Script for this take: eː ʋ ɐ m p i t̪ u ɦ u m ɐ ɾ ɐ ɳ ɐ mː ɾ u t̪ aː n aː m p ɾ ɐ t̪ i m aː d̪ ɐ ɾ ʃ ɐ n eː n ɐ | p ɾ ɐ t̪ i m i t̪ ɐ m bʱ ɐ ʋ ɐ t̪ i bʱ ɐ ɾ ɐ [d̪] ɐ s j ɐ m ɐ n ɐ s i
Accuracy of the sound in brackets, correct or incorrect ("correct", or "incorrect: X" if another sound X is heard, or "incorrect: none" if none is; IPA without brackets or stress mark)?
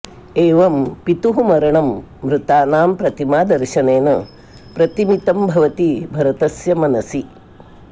incorrect: t̪